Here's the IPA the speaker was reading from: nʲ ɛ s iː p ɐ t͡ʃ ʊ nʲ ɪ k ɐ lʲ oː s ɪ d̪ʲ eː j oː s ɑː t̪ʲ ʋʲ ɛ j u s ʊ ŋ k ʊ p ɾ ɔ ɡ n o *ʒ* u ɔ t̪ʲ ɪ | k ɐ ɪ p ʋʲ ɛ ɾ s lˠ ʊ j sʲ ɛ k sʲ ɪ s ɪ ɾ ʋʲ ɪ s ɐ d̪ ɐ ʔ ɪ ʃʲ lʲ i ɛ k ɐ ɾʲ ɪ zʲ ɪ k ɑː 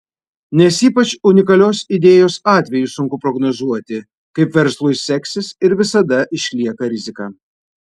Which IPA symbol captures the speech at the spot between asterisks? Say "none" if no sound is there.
z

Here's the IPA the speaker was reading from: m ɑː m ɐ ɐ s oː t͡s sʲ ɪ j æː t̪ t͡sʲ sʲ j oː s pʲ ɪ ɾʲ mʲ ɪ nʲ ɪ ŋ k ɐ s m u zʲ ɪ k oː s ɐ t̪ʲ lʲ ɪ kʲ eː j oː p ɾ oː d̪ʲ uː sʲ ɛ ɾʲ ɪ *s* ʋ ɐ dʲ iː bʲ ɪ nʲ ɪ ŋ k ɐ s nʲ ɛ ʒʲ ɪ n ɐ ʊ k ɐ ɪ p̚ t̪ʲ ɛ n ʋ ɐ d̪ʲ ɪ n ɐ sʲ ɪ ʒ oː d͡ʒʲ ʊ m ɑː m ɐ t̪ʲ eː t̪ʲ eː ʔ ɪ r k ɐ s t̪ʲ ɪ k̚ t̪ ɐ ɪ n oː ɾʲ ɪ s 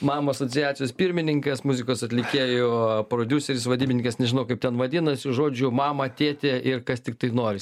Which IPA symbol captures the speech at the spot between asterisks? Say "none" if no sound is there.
s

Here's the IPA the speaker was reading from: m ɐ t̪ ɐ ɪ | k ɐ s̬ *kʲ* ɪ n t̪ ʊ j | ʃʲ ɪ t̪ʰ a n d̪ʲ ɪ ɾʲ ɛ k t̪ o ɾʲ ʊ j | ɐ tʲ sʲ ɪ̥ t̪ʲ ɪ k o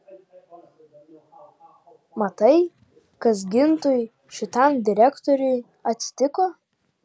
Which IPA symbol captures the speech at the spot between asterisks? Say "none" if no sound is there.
ɡʲ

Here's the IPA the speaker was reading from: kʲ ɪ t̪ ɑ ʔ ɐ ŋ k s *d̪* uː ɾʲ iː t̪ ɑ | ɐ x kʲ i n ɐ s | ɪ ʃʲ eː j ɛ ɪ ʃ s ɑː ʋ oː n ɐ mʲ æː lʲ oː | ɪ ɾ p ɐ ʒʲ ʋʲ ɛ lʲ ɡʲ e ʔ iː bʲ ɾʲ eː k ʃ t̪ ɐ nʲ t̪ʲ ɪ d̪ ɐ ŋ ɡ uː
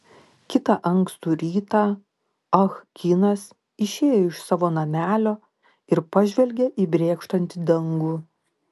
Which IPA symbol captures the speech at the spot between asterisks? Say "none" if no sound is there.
t̪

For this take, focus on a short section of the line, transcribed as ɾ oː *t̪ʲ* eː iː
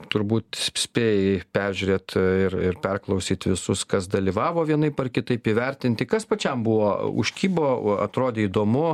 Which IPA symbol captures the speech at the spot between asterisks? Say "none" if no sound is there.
d̪ʲ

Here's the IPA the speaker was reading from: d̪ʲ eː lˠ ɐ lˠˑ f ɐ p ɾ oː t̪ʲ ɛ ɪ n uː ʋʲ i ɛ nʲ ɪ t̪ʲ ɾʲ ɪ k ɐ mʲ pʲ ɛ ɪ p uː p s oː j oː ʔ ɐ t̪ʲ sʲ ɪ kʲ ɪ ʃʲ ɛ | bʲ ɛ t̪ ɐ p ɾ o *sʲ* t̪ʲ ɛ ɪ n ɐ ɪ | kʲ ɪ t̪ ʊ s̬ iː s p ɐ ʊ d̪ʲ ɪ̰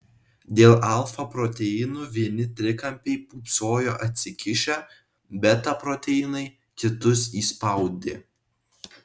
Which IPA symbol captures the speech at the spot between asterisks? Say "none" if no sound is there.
none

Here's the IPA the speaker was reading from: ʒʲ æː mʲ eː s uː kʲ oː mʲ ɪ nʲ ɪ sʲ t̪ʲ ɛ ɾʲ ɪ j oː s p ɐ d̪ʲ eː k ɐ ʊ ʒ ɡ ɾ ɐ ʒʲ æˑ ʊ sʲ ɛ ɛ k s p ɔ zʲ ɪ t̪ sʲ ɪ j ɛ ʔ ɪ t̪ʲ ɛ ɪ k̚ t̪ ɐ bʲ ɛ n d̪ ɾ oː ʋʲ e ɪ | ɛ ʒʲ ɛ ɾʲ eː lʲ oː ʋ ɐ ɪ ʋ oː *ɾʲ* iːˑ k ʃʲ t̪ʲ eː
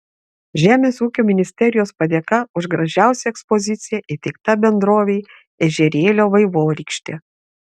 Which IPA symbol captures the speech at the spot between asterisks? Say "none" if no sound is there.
ɾʲ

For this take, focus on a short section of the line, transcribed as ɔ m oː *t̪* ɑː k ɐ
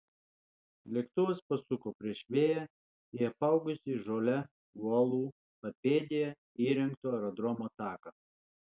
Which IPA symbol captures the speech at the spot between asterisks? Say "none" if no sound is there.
t̪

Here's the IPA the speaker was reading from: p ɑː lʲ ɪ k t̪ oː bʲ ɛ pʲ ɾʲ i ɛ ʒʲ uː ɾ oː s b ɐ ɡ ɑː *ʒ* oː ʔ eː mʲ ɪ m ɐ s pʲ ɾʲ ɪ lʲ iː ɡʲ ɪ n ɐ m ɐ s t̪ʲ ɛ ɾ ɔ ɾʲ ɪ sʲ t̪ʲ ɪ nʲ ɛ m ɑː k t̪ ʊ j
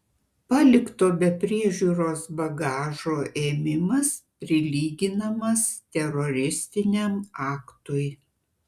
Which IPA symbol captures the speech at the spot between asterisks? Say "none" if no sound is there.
ʒ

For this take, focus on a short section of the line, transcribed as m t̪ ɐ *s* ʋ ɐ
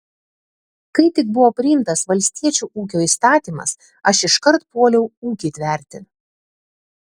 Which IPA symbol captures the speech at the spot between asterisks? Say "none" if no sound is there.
s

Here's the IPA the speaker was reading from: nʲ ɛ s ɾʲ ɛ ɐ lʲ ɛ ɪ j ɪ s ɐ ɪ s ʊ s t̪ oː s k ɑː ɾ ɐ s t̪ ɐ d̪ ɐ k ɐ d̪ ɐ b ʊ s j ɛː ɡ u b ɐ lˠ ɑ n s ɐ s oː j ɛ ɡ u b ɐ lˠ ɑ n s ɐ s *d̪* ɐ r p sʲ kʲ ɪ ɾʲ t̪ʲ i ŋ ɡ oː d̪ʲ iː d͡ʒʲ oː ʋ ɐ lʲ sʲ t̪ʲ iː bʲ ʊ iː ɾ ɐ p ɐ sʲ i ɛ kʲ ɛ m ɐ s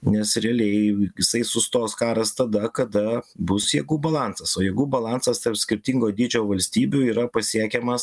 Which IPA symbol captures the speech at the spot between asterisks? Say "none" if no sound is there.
t̪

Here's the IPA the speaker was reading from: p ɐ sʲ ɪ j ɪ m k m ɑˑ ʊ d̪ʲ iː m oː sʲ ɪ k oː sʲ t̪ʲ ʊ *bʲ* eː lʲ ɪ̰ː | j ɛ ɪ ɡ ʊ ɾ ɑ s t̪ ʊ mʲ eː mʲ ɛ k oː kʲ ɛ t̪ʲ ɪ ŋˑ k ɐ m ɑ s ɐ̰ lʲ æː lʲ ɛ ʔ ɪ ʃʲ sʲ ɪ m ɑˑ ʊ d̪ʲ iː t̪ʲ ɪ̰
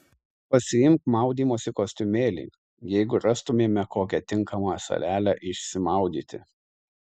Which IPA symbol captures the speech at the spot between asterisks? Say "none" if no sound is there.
mʲ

